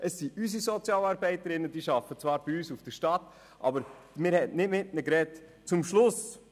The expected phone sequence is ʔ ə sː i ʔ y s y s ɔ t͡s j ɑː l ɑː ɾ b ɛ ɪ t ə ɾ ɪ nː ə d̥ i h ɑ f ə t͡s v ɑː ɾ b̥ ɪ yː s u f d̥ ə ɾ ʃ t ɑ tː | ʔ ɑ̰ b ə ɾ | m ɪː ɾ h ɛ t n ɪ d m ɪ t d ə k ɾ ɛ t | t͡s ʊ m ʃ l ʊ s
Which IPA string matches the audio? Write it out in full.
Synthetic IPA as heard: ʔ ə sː i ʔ y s i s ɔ t͡s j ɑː l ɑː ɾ b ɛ ɪ t ə ɾ ɪ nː ə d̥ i ʃ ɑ f ə t͡s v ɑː ɾ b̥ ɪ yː s u f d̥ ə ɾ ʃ t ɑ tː | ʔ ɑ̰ b ə ɾ | m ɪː ɾ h ɛ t n ɪ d m ɪ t n ə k ɾ ɛ t | t͡s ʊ m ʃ l ʊ s